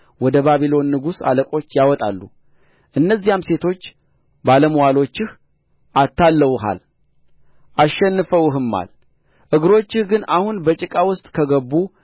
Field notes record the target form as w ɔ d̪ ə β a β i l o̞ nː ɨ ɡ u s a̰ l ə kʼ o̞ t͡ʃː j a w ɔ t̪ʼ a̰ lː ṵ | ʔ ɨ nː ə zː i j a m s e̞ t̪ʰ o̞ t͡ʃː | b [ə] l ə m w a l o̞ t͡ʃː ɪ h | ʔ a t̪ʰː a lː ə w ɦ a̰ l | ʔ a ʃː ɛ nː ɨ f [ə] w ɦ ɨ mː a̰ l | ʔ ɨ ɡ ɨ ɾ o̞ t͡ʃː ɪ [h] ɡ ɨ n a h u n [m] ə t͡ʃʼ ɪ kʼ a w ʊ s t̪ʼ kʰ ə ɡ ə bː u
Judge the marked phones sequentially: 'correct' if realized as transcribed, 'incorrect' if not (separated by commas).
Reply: incorrect, correct, correct, incorrect